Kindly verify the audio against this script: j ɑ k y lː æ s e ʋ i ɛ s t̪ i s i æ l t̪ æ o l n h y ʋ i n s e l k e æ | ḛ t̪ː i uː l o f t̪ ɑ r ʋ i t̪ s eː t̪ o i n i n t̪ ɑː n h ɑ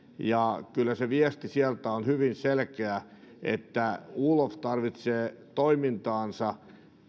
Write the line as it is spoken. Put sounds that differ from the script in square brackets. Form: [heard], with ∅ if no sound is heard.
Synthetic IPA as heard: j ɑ k y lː æ s e ʋ i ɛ s t̪ i s i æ l t̪ æ o [∅] n h y ʋ i n s e l k e æ | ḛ t̪ː [æ] uː l o f t̪ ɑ r ʋ i t̪ s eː t̪ o i [m] i n t̪ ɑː n [s] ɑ